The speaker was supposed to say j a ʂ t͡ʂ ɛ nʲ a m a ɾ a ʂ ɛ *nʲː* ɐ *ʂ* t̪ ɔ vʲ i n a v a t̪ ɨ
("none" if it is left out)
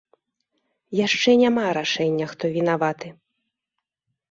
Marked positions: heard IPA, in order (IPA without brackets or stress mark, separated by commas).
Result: nʲː, x